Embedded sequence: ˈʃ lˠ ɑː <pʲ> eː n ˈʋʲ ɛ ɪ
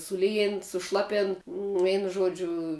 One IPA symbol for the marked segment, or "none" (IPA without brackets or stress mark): pʲ